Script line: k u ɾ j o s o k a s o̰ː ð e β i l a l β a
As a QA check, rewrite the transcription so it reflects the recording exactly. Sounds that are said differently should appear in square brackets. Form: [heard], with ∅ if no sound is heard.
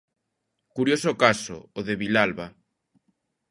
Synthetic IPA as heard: k u ɾ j o s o k a s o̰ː ð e β i l a l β a

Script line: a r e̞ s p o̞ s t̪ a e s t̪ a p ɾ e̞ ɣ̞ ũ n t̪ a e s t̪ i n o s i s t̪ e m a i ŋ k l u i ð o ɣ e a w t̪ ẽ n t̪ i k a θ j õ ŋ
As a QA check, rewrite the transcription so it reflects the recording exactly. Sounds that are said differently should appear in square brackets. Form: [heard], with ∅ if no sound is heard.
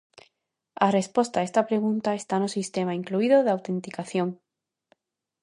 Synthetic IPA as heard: a r e̞ s p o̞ s t̪ a e s t̪ a p ɾ e̞ ɣ̞ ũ n t̪ a e s t̪ [a] n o s i s t̪ e m a i ŋ k l u i ð o [ð] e a w t̪ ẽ n t̪ i k a θ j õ ŋ

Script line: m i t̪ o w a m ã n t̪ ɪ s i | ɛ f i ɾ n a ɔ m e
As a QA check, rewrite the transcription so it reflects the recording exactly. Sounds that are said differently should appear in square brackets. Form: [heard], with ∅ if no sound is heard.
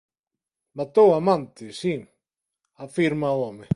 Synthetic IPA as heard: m [a] t̪ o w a m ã n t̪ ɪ s i | [a] f i ɾ [m] a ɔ m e

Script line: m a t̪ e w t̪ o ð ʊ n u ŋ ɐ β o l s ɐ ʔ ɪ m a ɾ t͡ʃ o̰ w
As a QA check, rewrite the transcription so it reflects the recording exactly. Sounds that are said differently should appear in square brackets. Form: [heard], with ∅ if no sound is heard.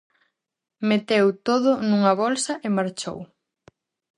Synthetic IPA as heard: m [e] t̪ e w t̪ o ð ʊ n u ŋ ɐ β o l s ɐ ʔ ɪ m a ɾ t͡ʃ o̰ w

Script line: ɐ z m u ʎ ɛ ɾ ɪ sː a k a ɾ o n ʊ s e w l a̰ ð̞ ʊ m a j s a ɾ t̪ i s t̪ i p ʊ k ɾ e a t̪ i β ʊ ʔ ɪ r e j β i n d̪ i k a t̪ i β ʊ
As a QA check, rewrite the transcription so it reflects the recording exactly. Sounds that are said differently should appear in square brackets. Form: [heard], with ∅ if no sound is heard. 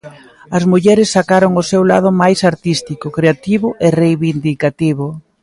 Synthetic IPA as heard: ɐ z m u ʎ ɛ ɾ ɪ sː a k a ɾ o [ŋ] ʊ s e w l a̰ ð̞ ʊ m a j s a ɾ t̪ i s t̪ i [k] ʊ k ɾ e a t̪ i β ʊ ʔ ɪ r e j β i n d̪ i k a t̪ i β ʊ

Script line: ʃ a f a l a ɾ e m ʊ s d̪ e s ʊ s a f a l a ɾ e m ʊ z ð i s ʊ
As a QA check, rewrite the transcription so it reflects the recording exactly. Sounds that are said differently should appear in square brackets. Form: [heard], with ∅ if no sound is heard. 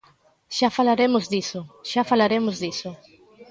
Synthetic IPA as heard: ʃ a f a l a ɾ e m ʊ [z] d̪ [i] s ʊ [ʃ] a f a l a ɾ e m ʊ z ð i s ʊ

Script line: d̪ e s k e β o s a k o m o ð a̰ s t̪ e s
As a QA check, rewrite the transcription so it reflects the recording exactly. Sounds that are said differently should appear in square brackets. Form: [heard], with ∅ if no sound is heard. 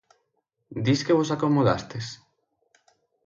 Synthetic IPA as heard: d̪ [i] s k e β o s a k o m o ð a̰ s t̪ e s

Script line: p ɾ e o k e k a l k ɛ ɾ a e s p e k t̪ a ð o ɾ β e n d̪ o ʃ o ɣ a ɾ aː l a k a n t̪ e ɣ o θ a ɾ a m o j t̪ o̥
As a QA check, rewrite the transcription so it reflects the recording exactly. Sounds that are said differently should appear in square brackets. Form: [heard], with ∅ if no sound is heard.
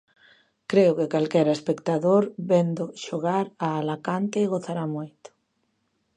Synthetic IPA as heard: [k] ɾ e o k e k a l k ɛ ɾ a e s p e k t̪ a ð o ɾ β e n d̪ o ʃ o ɣ a ɾ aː l a k a n t̪ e ɣ o θ a ɾ a m o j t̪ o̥

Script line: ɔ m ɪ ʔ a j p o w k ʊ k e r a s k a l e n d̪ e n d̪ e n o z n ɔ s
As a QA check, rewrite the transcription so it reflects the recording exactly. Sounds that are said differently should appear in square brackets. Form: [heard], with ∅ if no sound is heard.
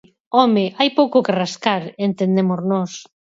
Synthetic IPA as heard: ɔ m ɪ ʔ a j p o w k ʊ k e r a s k a [ɾ] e n [t̪] e n d̪ e [m] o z n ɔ s

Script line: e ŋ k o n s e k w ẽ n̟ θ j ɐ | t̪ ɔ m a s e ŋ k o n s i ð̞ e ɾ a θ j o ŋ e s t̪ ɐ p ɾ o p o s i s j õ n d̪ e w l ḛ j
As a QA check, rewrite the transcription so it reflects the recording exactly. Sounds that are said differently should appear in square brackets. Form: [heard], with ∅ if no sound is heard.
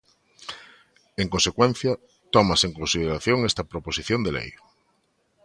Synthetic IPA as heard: e ŋ k o n s e k w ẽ n̟ θ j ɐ | t̪ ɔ m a s e ŋ k o n s i ð̞ e ɾ a θ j o ŋ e s t̪ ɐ p ɾ o p o s i [θ] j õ n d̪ e [∅] l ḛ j

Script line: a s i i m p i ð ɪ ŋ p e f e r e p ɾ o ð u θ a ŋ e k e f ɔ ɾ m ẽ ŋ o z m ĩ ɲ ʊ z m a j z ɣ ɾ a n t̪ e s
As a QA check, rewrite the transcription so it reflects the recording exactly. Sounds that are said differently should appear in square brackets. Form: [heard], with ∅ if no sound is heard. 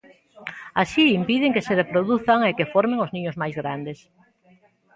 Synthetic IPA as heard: a s i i m p i ð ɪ ŋ [k] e [s] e r e p ɾ o ð u θ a ŋ e k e f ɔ ɾ m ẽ ŋ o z [n] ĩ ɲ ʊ z m a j z ɣ ɾ a n [d̪] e s

